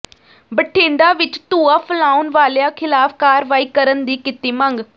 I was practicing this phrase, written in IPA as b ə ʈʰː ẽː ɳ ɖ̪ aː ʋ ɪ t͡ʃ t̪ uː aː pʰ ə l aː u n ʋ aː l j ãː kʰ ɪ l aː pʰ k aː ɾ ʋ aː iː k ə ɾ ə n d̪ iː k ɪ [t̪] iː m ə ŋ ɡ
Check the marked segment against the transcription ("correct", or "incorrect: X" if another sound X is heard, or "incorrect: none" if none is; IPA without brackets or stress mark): correct